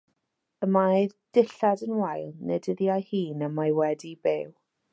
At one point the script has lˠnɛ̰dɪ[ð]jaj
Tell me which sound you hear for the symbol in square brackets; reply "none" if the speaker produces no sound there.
ð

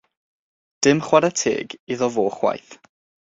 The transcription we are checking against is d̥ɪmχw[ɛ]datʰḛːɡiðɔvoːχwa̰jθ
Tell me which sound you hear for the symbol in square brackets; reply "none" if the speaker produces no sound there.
a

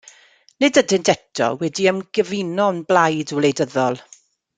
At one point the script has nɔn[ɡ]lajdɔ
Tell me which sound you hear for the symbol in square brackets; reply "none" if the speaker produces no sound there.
b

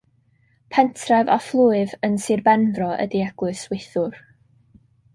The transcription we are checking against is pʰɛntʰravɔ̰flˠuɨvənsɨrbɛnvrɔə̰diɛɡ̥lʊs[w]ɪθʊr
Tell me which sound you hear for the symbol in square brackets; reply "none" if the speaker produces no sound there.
w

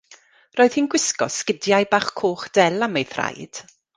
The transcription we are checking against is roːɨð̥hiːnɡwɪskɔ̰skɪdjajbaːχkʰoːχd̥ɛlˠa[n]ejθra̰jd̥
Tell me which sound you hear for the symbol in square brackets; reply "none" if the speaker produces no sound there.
m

